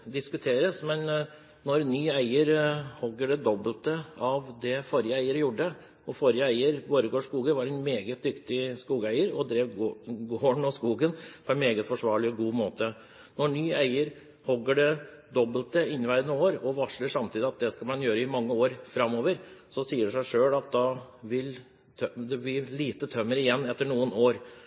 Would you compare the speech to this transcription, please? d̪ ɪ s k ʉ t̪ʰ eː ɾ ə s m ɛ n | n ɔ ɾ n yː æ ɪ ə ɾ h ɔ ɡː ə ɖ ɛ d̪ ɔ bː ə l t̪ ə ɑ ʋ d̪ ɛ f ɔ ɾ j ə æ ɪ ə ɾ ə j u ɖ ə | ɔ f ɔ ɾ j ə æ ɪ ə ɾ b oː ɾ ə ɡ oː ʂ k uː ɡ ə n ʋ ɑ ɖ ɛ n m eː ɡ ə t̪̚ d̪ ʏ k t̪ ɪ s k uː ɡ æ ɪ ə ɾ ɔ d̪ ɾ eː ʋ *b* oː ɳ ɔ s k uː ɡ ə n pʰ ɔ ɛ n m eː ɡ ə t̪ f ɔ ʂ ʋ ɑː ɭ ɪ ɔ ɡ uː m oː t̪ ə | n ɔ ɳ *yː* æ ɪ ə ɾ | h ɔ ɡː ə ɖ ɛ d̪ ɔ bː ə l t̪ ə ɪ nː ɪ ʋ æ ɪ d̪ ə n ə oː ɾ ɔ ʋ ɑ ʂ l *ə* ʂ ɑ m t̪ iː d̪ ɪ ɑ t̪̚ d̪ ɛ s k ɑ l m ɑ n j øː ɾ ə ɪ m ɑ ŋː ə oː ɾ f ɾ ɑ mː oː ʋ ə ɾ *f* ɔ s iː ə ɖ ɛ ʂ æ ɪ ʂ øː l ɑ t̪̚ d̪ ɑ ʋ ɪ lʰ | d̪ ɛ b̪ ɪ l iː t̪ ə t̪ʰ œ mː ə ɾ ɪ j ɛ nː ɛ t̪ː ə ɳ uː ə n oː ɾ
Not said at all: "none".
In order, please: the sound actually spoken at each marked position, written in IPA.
ɡ, yː, ə, s

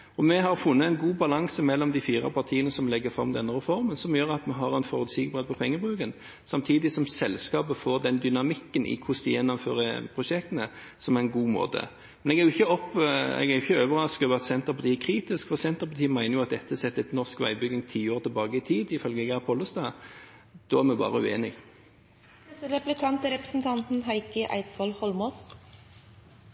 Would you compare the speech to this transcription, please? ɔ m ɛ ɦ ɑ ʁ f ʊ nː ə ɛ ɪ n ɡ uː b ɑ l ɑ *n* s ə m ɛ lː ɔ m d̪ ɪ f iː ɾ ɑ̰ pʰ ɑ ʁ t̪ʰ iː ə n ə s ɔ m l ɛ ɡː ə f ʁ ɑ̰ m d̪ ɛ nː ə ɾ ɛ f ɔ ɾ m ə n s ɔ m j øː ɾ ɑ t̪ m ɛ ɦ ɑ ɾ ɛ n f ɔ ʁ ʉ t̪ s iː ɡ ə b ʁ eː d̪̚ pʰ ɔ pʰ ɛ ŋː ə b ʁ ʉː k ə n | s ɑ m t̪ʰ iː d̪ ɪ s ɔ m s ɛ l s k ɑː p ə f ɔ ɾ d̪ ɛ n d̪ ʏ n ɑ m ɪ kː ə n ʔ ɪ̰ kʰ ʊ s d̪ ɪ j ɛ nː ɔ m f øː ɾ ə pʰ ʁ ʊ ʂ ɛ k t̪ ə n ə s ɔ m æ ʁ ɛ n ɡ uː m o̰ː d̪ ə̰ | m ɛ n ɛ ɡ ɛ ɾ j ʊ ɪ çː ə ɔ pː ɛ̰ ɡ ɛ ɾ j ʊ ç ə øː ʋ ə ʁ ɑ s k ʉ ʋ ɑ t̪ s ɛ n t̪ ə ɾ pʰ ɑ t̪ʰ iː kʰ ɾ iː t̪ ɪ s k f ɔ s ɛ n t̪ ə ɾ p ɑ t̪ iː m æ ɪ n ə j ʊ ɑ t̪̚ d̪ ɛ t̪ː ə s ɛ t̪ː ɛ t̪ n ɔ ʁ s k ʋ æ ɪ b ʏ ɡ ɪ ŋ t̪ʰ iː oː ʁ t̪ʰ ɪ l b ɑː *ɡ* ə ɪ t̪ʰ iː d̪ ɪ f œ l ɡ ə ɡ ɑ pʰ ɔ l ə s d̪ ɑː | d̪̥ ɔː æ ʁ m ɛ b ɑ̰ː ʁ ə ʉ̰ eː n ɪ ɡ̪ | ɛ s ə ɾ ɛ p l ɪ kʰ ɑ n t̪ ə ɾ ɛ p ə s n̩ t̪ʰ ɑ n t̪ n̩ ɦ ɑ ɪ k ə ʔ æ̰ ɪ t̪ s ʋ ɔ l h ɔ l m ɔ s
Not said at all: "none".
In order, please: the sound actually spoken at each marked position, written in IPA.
ŋ, ɡ

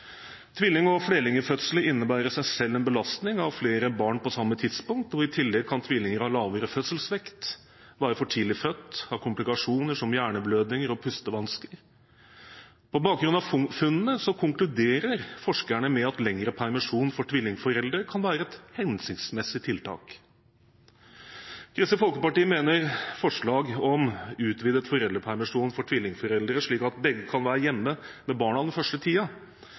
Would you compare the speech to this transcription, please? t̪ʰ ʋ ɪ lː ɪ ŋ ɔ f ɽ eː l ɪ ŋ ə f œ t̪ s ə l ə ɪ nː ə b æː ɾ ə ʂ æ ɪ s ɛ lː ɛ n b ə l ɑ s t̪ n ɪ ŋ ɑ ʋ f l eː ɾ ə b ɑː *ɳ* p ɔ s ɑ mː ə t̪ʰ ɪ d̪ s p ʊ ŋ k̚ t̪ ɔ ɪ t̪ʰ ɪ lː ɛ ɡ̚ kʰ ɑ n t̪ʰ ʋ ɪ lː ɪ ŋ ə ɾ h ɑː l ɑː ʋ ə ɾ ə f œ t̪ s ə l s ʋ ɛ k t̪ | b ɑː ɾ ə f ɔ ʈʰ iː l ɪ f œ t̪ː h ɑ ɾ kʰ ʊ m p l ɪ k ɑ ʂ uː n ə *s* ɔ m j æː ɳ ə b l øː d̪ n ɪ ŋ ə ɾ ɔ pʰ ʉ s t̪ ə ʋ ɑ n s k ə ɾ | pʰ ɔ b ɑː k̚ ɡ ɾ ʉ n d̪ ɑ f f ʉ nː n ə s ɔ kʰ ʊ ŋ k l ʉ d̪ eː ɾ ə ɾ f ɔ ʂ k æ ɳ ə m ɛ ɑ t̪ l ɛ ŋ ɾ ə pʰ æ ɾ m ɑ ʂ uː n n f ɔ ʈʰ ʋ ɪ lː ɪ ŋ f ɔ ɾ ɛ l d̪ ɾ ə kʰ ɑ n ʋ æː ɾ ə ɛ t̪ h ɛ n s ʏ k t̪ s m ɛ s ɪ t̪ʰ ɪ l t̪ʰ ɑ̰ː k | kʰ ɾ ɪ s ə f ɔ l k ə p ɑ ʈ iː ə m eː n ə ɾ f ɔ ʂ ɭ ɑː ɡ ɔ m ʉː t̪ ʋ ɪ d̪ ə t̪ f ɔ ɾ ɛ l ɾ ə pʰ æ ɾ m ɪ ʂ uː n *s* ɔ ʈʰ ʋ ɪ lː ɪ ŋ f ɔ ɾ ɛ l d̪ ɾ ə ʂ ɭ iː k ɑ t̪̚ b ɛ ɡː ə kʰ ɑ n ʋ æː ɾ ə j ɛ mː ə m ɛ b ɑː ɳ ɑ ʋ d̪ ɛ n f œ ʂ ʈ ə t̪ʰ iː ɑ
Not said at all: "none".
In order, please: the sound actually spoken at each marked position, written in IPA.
ɳ, ʂ, f

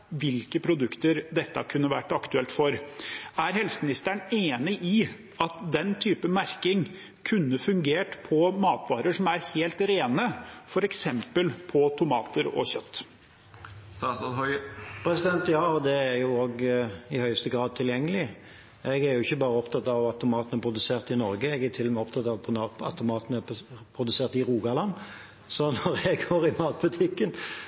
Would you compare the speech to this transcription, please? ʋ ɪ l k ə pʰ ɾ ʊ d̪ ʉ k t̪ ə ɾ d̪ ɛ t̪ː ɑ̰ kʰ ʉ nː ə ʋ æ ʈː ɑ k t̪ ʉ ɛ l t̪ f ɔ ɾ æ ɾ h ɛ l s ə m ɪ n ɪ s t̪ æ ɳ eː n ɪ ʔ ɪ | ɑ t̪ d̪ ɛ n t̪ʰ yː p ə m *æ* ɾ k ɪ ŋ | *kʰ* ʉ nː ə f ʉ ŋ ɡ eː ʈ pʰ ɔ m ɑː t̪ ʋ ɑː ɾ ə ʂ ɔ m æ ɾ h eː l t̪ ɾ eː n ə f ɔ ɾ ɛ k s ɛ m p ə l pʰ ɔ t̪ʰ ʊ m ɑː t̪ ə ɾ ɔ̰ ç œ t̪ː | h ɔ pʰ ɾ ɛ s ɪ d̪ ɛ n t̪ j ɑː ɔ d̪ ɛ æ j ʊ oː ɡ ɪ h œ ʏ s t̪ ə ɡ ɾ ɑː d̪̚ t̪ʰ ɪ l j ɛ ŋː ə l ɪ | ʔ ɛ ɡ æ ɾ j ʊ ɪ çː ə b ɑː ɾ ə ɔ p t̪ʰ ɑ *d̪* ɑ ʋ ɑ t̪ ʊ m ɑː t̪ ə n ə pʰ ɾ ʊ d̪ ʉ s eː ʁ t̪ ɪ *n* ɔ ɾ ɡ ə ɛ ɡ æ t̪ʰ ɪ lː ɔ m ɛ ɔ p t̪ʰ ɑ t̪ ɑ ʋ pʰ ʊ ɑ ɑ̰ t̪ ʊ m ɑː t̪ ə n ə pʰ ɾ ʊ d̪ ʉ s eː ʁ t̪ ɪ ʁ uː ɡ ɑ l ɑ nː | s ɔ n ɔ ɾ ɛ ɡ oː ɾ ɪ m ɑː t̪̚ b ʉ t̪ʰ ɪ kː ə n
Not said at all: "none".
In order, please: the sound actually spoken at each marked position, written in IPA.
æ, kʰ, t̪, n

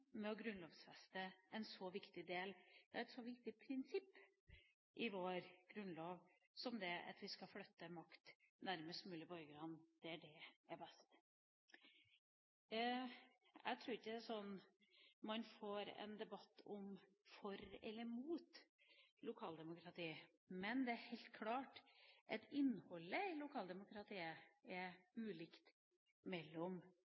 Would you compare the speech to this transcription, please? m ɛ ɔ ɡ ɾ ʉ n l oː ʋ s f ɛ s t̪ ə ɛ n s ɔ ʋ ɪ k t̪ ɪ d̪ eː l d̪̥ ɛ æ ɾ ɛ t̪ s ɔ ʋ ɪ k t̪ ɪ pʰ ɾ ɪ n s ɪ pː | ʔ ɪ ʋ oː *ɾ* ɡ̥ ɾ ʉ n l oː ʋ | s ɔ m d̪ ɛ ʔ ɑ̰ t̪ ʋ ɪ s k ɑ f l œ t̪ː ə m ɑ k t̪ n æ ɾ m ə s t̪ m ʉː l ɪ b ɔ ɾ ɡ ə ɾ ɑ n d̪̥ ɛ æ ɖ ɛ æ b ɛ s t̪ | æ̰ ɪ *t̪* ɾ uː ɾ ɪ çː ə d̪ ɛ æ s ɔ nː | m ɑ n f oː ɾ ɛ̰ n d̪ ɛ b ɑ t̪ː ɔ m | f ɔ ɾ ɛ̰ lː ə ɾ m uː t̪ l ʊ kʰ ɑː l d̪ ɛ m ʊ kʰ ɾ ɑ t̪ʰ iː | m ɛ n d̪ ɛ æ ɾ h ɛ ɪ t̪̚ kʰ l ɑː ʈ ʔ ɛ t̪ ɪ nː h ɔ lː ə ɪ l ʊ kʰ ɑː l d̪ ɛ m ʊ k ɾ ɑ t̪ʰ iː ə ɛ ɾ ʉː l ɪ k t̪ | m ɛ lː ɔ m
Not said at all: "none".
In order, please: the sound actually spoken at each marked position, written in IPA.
ɾ, t̪ʰ

